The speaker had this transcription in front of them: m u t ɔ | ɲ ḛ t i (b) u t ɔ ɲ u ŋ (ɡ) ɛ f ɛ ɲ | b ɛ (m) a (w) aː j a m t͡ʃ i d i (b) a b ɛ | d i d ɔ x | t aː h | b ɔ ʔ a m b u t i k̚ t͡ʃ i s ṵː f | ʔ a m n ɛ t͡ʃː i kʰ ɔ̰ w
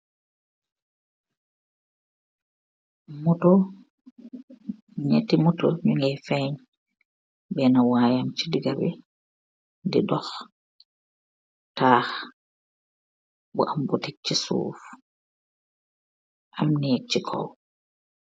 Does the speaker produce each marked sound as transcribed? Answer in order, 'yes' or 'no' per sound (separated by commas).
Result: no, yes, no, yes, no